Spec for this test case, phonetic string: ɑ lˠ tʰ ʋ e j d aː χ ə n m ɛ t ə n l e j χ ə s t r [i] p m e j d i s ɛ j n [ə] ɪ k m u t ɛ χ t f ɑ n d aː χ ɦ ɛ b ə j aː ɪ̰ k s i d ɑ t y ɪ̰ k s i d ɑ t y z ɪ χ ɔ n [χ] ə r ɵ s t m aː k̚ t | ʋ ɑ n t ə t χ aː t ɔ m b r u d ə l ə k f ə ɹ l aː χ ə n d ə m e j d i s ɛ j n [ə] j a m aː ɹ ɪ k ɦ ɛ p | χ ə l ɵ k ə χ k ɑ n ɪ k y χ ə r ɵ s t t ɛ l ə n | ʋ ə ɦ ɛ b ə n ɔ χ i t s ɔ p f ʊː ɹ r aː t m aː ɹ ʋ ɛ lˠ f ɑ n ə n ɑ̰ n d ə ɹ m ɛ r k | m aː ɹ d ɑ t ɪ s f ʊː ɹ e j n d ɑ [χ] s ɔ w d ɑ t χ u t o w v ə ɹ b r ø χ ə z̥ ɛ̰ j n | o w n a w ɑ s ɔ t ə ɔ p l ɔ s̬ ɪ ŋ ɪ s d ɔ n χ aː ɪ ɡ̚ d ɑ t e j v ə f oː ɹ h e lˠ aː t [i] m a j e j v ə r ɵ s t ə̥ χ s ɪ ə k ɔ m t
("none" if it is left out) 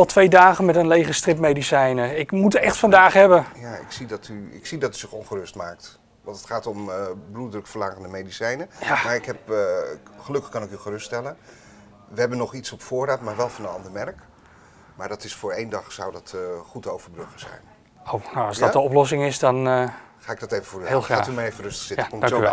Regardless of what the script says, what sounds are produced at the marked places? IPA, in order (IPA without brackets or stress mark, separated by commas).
ɪ, ə, χ, ə, χ, y